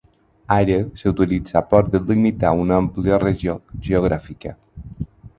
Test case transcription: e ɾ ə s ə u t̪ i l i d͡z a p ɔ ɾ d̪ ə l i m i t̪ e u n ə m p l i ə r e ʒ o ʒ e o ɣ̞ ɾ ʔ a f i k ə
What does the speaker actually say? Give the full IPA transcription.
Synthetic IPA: a ɾ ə s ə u t̪ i l i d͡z a p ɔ ɾ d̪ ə l i m i t̪ a u n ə m p l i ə r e ʒ o ʒ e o ɣ̞ ɾ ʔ a f i k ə